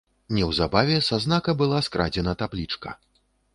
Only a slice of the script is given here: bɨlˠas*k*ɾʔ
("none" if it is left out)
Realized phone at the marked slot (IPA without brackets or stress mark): k